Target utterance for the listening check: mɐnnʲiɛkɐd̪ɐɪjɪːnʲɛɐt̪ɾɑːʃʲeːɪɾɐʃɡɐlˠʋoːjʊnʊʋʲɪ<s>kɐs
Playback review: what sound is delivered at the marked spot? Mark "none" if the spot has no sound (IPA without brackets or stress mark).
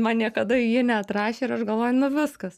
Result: s